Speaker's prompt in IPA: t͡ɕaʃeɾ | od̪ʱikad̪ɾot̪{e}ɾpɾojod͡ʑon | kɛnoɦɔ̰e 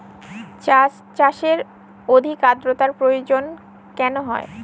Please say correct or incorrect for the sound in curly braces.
incorrect